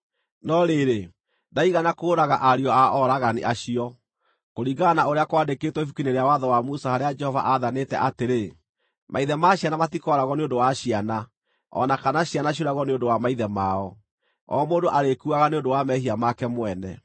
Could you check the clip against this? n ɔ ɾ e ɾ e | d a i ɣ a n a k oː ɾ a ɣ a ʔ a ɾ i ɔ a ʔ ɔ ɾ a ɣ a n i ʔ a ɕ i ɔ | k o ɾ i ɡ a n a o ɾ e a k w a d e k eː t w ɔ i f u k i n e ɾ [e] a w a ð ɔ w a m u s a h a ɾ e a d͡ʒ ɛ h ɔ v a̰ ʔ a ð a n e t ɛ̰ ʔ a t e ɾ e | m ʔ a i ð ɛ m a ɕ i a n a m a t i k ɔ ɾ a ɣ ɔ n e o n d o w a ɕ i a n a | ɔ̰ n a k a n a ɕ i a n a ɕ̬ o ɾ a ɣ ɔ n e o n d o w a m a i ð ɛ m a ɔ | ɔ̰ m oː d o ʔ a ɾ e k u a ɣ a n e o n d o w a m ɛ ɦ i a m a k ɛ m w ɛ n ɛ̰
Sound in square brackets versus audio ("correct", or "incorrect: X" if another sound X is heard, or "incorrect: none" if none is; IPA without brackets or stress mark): correct